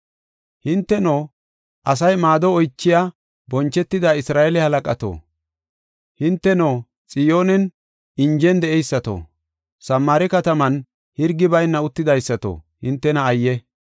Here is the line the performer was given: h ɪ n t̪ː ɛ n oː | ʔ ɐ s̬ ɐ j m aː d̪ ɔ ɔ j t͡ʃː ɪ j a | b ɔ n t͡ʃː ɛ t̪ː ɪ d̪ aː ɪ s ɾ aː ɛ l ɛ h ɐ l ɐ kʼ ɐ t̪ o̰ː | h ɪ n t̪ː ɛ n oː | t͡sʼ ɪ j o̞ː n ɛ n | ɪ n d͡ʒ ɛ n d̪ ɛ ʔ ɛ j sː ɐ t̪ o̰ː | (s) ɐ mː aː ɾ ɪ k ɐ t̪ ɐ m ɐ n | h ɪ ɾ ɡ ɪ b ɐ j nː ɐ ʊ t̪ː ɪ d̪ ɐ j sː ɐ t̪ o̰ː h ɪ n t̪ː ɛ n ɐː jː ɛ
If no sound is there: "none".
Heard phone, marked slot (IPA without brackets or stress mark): s